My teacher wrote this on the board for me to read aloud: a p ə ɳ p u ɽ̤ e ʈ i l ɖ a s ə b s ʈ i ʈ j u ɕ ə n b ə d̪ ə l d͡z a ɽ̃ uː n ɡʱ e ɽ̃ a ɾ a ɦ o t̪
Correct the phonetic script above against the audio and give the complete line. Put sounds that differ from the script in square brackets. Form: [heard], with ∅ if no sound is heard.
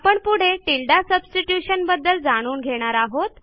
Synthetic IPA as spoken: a p ə ɳ p u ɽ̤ e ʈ i l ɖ a s ə b s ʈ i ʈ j u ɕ ə n b ə [d̪ː] ə l d͡z a ɽ̃ uː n ɡʱ e ɽ̃ a ɾ a ɦ o t̪